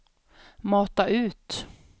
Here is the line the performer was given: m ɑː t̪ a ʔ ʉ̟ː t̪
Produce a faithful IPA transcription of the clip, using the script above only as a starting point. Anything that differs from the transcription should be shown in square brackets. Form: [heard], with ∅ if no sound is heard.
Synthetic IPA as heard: m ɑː t̪ a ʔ ʉ̟ː t̪